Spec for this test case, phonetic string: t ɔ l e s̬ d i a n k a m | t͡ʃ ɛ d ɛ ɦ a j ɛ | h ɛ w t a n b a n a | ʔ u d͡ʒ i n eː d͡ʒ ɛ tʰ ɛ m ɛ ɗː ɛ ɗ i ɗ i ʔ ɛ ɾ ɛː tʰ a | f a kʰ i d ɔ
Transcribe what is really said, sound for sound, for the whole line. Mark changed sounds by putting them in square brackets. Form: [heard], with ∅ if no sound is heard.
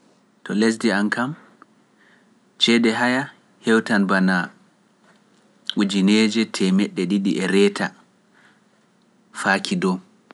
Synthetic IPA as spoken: t ɔ l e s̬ d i a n k a m | t͡ʃ ɛ d ɛ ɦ a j [a] | h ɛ w t a n b a n a | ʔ u d͡ʒ i n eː d͡ʒ ɛ tʰ ɛ m ɛ ɗː ɛ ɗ i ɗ i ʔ ɛ ɾ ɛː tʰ a | f a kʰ i d ɔ

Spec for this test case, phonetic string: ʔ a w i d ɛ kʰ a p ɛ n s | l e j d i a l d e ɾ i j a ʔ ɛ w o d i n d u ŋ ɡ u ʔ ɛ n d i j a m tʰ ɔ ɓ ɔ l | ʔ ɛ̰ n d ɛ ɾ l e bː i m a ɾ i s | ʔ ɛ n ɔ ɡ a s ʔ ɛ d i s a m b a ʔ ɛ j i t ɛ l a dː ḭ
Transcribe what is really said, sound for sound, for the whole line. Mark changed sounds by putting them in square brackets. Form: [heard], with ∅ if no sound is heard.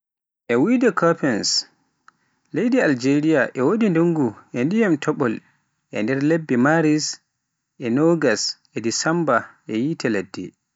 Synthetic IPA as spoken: ʔ [ɛ] w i d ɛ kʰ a p ɛ n s | l e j d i a l [d͡ʒ] e ɾ i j a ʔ ɛ w o d i n d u ŋ ɡ u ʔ ɛ n d i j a m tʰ ɔ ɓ ɔ l | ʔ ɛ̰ n d ɛ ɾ l e bː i m a ɾ i s | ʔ ɛ n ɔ ɡ a s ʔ ɛ d i s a m b a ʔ ɛ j i t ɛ l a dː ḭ

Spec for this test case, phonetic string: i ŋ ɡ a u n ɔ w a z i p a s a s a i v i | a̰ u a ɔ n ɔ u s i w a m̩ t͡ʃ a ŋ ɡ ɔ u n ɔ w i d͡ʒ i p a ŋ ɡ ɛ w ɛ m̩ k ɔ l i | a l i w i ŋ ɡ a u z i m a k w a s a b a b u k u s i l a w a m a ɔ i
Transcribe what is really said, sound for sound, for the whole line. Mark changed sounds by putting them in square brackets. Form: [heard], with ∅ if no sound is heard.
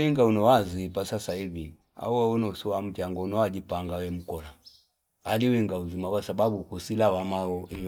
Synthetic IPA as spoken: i ŋ ɡ a u n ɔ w a z i p a s a s a i v i | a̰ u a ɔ n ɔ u s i w a m̩ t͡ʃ a ŋ ɡ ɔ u n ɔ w [a] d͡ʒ i p a ŋ ɡ [a] w ɛ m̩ k ɔ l [a] | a l i w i ŋ ɡ a u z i m a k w a s a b a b u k u s i l a w a m a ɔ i

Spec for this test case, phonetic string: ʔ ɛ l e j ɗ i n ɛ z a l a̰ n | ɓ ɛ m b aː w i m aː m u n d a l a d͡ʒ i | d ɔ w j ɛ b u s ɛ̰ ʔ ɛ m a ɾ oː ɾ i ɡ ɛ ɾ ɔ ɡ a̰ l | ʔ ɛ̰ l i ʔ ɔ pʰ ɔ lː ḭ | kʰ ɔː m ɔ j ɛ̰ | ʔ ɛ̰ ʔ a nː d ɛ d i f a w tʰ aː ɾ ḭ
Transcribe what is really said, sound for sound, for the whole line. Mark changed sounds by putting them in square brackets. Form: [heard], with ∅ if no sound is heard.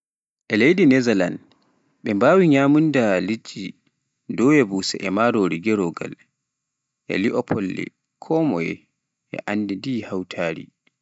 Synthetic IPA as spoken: ʔ ɛ l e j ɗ i n ɛ z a l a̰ n | ɓ ɛ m b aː w i [ɲ] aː m u n d a l [i] d͡ʒ i | d ɔ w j ɛ b u s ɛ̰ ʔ ɛ m a ɾ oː ɾ i ɡ ɛ ɾ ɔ ɡ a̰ l | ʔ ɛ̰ l i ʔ ɔ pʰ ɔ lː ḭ | kʰ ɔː m ɔ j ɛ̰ | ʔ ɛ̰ ʔ a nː d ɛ d i [h] a w tʰ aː ɾ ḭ

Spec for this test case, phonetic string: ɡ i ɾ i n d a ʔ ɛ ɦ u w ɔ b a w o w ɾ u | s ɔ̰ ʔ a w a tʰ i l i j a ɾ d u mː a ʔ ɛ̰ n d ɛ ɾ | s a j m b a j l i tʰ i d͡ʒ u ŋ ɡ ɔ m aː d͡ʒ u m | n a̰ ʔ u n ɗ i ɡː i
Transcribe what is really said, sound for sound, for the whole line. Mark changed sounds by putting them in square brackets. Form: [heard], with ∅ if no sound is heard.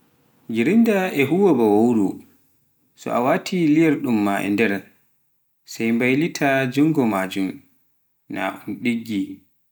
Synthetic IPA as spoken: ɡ i ɾ i n d a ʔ ɛ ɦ u w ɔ b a w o w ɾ u | s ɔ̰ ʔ a w a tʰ i l i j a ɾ [ɗ] u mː a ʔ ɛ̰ n d ɛ ɾ | s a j m b a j l i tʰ [a] d͡ʒ u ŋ ɡ ɔ m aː d͡ʒ u m | n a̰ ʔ u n ɗ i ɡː i

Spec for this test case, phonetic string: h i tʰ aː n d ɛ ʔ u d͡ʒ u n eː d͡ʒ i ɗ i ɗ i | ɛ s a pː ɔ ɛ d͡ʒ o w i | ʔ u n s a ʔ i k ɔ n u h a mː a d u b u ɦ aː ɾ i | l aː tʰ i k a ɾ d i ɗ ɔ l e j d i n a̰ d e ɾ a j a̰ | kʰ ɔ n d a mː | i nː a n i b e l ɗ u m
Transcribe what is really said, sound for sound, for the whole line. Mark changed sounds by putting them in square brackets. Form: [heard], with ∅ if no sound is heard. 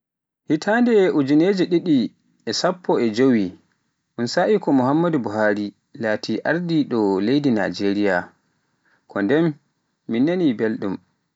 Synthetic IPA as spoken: h i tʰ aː n d ɛ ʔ u d͡ʒ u n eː d͡ʒ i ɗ i ɗ i | ɛ s a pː ɔ ɛ d͡ʒ o w i | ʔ u n s a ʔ i k ɔ [m] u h a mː a d u b u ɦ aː ɾ i | l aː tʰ i [ʔ] a ɾ d i ɗ ɔ l e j d i n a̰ [d͡ʒ] e ɾ [i] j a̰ | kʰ ɔ n d [ɛ] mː | i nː a n i b e l ɗ u m

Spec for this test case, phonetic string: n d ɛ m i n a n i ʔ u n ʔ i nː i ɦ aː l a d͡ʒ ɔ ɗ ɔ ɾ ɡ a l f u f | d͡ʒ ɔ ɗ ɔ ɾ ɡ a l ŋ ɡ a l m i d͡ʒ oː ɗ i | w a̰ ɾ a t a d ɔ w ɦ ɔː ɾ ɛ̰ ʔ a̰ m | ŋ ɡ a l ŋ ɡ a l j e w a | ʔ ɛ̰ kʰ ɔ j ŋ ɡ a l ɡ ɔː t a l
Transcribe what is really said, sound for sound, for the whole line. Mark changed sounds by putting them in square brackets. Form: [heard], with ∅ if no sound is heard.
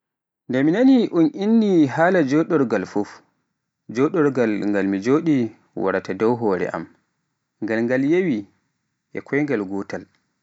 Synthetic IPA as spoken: n d ɛ m i n a n i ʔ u n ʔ i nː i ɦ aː l a d͡ʒ ɔ ɗ ɔ ɾ ɡ a l f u f | d͡ʒ ɔ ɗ ɔ ɾ ɡ a l ŋ ɡ a l m i d͡ʒ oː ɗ i | w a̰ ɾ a t a d ɔ w ɦ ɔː ɾ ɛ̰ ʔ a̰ m | ŋ ɡ a l ŋ ɡ a l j e w [i] | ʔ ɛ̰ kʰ ɔ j ŋ ɡ a l ɡ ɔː t a l

